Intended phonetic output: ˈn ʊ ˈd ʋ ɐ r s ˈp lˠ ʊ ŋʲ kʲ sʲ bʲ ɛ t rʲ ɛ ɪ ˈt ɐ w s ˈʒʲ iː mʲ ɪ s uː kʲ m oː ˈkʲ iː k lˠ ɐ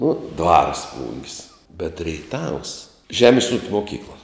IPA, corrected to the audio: ˈn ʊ ˈd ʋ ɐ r s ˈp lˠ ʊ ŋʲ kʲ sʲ bʲ ɛ t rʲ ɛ ɪ ˈt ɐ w s ˈʒʲ æː mʲ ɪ s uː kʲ m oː ˈkʲ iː k lˠ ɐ